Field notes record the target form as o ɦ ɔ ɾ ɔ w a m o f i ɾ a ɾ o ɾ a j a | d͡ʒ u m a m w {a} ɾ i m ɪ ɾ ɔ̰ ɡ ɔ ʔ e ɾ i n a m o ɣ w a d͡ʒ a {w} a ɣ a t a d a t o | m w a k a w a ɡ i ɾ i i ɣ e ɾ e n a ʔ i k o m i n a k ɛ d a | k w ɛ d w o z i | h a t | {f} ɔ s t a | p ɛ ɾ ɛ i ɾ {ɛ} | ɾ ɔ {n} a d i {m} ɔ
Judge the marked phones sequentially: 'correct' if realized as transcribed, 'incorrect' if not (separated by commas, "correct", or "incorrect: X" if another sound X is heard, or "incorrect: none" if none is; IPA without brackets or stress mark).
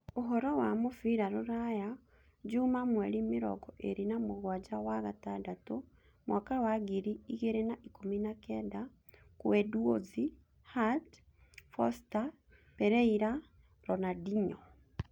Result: incorrect: ɛ, correct, correct, incorrect: a, correct, incorrect: ɲ